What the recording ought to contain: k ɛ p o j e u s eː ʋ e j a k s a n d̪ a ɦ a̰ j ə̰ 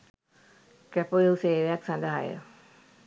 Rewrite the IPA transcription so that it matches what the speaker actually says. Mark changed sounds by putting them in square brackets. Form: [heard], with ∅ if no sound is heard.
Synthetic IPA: k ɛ p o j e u s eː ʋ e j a k s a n d̪ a ɦ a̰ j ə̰